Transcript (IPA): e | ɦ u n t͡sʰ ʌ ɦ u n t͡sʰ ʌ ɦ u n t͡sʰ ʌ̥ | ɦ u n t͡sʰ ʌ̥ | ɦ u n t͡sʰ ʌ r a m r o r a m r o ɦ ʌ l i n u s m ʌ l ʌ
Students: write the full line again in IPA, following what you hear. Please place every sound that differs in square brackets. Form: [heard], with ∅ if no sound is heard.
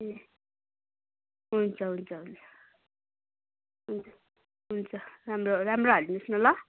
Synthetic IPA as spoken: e | ɦ u n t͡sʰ ʌ ɦ u n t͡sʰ ʌ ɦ u n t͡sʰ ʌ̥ | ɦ u n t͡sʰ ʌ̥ | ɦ u n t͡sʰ ʌ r a m r o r a m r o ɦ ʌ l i n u s [n] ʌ l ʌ